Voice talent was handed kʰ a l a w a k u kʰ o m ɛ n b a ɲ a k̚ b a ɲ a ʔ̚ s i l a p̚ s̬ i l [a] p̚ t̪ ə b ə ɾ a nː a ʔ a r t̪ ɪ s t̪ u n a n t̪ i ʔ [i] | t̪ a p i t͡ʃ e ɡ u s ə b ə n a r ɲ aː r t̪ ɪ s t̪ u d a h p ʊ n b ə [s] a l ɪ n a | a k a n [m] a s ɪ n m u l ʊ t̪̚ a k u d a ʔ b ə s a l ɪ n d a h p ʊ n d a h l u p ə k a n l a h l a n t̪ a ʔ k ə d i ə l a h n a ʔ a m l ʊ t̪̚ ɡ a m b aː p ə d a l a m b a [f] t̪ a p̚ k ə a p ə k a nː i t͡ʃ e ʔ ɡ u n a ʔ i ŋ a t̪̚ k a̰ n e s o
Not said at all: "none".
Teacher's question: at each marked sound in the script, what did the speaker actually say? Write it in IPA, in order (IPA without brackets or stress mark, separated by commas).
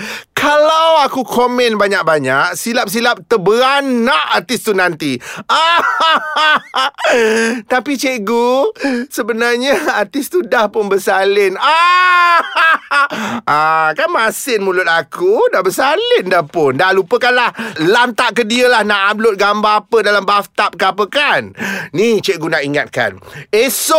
a, a, s, m, f